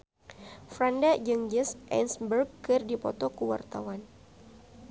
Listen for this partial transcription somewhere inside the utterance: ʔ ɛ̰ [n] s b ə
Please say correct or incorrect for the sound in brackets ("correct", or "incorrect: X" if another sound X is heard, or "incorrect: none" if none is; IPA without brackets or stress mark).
correct